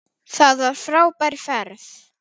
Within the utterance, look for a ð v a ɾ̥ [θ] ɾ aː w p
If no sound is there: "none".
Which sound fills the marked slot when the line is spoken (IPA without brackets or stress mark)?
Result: f